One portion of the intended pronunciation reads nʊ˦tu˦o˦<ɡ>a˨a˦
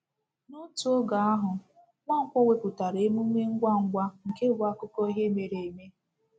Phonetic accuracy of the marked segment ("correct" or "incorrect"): correct